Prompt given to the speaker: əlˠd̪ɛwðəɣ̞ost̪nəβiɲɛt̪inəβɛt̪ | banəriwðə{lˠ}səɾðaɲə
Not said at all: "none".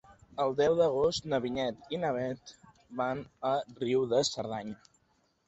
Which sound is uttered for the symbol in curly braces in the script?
none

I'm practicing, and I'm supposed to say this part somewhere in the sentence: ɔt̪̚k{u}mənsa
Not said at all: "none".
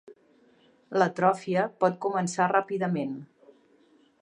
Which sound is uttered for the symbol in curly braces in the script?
u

